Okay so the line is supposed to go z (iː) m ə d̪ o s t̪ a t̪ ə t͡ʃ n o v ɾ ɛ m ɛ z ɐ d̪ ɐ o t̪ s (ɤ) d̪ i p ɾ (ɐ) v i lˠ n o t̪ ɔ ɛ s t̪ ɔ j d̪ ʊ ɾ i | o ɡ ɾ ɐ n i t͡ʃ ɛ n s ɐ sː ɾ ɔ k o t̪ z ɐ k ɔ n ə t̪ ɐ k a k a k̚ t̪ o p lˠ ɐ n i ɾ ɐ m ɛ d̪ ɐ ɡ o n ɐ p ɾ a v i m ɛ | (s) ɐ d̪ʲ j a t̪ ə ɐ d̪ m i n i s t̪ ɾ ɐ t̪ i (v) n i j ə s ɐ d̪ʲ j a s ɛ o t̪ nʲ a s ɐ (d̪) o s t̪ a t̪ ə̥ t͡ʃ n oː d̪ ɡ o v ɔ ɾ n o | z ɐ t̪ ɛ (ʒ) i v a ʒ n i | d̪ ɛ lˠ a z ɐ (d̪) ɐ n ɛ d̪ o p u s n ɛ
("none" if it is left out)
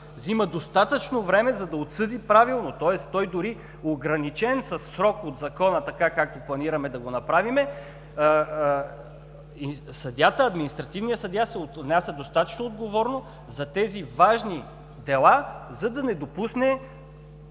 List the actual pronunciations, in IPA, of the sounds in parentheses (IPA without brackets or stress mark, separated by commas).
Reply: i, ɤ, a, s, v, d̪, z, d̪